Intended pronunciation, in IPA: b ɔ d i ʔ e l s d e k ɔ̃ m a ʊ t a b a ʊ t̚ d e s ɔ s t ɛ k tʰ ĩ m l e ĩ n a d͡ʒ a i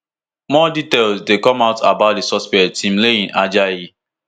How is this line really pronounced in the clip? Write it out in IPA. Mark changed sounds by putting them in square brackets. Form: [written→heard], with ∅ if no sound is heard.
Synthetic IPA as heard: [b→m] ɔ d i [ʔ→t] e l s d e k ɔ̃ m a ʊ t a b a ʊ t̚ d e s ɔ s [t→p] ɛ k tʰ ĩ m l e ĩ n a d͡ʒ a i